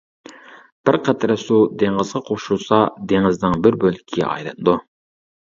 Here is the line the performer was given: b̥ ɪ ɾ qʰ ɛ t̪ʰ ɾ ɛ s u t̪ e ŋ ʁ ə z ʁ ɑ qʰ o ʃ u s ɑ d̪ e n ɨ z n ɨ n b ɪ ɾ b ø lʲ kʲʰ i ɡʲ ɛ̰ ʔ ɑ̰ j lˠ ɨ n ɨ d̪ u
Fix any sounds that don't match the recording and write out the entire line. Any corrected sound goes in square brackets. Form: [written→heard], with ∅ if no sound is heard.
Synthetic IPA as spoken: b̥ ɪ ɾ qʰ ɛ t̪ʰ ɾ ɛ s u [t̪→d̪] e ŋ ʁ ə z ʁ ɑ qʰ o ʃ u s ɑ d̪ e [n→ŋ] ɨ z n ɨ [n→ŋ] b ɪ ɾ b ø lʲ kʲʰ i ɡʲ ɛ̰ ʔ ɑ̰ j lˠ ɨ n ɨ d̪ u

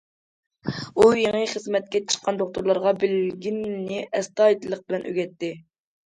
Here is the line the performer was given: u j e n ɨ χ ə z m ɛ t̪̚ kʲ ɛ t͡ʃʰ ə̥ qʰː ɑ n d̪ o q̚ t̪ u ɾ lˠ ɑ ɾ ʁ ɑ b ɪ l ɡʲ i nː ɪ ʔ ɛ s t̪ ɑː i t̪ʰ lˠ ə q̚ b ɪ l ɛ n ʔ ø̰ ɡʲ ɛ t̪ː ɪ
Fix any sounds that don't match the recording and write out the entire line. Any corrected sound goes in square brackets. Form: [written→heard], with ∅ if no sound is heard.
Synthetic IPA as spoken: u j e [n→ŋ] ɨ χ ə z m ɛ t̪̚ kʲ ɛ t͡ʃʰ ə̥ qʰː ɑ n d̪ o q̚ t̪ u ɾ lˠ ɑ ɾ ʁ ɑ b ɪ l ɡʲ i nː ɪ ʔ ɛ s t̪ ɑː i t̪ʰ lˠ ə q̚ b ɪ l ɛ n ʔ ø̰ ɡʲ ɛ t̪ː ɪ

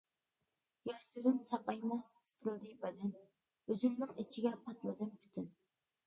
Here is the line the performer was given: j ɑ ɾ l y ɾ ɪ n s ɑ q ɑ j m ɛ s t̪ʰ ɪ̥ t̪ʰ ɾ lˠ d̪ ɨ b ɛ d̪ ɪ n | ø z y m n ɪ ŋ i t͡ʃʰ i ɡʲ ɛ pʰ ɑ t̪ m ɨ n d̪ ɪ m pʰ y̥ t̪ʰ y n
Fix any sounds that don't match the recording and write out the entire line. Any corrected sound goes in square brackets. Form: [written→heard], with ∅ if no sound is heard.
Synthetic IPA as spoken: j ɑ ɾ l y ɾ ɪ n s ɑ q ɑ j m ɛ s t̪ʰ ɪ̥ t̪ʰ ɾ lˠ d̪ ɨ b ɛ d̪ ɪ n | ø z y m n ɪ ŋ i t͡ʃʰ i ɡʲ ɛ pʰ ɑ t̪ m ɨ [n→∅] d̪ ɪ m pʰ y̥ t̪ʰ y n

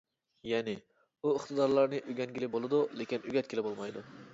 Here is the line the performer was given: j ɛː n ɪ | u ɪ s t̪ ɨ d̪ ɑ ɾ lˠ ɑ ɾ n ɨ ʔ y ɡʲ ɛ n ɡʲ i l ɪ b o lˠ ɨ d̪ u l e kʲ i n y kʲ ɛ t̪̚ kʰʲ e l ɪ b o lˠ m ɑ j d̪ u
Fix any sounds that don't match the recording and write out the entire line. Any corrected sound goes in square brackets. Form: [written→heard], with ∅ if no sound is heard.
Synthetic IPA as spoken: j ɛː n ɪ | u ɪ [s→χ] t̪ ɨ d̪ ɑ ɾ lˠ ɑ ɾ n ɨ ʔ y ɡʲ ɛ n ɡʲ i l ɪ b o lˠ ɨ d̪ u l e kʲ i n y [kʲ→ɡʲ] ɛ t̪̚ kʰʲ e l ɪ b o lˠ m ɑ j d̪ u

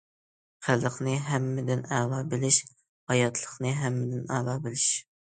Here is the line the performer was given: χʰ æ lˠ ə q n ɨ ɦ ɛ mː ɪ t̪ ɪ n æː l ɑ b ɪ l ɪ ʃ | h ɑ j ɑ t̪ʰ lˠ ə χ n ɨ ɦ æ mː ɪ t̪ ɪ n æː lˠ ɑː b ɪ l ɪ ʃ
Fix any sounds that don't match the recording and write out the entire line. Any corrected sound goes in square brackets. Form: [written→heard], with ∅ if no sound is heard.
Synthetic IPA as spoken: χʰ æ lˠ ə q n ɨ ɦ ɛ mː ɪ [t̪→d̪] ɪ n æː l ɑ b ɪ l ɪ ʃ | h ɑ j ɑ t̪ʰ lˠ ə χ n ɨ ɦ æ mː ɪ [t̪→d̪] ɪ n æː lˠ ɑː b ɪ l ɪ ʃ

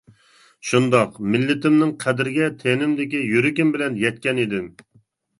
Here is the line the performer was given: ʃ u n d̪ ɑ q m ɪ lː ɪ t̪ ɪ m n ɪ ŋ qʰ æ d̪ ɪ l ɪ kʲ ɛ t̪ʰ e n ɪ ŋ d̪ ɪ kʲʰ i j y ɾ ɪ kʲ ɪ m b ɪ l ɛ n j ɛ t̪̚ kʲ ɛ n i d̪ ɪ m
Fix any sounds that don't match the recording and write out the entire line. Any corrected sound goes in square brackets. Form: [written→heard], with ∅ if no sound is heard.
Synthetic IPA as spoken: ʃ u n d̪ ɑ q m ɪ lː ɪ t̪ ɪ m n ɪ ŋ qʰ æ d̪ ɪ [l→ɾ] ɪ [kʲ→ɡʲ] ɛ t̪ʰ e n ɪ [ŋ→m] d̪ ɪ [kʲʰ→kʲ] i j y ɾ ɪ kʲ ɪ m b ɪ l ɛ n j ɛ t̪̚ kʲ ɛ n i d̪ ɪ m

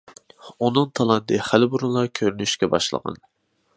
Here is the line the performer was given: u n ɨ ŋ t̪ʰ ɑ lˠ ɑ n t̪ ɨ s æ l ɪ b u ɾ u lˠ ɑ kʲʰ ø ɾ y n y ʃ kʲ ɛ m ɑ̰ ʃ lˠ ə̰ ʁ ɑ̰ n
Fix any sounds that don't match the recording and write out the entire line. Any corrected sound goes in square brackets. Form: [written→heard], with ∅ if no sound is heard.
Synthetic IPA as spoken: u n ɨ ŋ t̪ʰ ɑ lˠ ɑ n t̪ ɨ [s→χ] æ l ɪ b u ɾ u lˠ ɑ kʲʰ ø ɾ y n y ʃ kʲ ɛ [m→b] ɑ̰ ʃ lˠ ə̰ ʁ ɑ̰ n

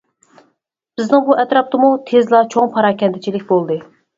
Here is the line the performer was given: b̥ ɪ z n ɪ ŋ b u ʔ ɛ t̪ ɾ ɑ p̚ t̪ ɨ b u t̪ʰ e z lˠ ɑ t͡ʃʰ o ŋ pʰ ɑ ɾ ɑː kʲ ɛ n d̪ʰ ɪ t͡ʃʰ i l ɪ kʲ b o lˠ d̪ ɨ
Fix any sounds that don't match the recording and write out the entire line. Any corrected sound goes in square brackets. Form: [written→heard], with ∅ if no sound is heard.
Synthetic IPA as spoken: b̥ ɪ z n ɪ ŋ b u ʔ ɛ t̪ ɾ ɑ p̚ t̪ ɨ [b→m] u t̪ʰ e z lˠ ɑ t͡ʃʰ o ŋ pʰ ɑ ɾ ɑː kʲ ɛ n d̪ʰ ɪ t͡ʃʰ i l ɪ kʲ b o lˠ d̪ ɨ

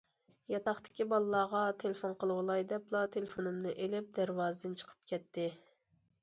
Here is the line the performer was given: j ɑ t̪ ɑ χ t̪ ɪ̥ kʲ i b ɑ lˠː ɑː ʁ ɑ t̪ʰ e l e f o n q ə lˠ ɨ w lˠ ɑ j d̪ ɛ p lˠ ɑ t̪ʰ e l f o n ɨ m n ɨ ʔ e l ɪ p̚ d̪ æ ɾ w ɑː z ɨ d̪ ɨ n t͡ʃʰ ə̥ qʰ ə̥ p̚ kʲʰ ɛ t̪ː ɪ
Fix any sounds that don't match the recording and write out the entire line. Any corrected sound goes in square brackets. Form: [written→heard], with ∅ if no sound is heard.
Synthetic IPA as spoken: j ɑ t̪ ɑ χ t̪ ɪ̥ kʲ i b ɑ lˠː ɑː ʁ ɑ t̪ʰ e l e f o n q ə lˠ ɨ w lˠ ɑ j d̪ ɛ p lˠ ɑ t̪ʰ e l f o n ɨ m n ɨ ʔ e l ɪ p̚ d̪ æ ɾ w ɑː z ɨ d̪ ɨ n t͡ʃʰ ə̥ qʰ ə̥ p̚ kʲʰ ɛ t̪ː ɪ

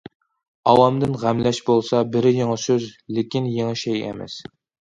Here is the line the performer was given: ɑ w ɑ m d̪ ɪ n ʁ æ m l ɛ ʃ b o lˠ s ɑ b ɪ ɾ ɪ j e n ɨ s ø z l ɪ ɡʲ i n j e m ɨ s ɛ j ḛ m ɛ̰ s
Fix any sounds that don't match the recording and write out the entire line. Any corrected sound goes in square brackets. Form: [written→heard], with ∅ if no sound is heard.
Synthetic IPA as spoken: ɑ w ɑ m d̪ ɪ n ʁ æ m l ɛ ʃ b o lˠ s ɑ b ɪ ɾ ɪ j e [n→ŋ] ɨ s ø z l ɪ [ɡʲ→kʲ] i n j e [m→ŋ] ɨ [s→ʃ] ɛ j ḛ m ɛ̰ s

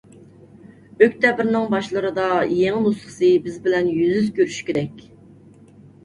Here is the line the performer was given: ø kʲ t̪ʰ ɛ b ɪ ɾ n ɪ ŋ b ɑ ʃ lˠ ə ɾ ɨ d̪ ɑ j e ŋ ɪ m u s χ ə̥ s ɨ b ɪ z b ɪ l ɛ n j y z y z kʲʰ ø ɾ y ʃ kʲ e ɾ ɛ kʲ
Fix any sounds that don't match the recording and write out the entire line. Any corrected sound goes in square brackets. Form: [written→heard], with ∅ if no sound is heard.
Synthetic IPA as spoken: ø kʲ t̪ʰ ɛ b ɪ ɾ n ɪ ŋ b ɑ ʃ lˠ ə ɾ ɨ d̪ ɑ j e ŋ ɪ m u s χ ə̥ s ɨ b ɪ z b ɪ l ɛ n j y z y z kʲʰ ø ɾ y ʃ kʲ e ɾ ɛ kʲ

